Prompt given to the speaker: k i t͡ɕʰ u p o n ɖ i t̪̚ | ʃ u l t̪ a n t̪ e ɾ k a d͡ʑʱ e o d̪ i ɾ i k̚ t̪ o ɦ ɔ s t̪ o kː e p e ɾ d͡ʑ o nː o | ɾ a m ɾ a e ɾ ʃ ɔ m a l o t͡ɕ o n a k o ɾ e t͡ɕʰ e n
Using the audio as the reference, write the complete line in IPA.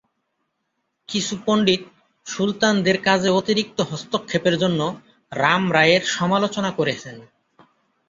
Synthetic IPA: k i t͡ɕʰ u p o ɳ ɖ i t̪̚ | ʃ u l t̪ a n d̪ e ɾ k a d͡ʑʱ e o t̪ i ɾ i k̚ t̪ o ɦ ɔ s t̪ o kʰː e p e ɾ d͡ʑ o nː o | ɾ a m ɾ a e ɾ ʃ ɔ m a l o t͡ɕ o n a k o ɾ e t͡ɕʰ e n